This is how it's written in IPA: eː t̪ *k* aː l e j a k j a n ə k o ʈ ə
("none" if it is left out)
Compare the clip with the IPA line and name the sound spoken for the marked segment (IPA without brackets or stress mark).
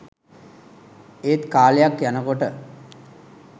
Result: k